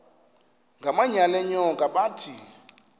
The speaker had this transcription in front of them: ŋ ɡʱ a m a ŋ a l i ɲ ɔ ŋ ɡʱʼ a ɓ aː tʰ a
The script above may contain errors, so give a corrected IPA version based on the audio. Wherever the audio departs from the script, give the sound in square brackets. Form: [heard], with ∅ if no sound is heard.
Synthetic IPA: ŋ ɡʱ a m a [ɲ] a l [ɛ] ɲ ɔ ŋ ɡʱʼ a ɓ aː tʰ [i]